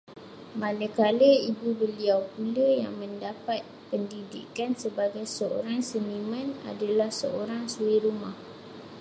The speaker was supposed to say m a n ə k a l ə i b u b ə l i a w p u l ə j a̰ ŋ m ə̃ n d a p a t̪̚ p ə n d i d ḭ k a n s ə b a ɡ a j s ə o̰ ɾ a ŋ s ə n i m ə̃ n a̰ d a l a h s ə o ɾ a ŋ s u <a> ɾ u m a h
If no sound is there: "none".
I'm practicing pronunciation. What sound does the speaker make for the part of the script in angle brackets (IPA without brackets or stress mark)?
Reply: i